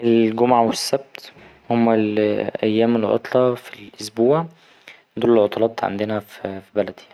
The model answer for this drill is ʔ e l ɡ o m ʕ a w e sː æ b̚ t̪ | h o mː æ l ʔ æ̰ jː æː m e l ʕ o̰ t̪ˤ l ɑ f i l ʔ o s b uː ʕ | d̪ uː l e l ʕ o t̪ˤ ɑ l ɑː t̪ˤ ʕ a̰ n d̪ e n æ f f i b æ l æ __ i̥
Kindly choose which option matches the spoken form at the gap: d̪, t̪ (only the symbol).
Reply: d̪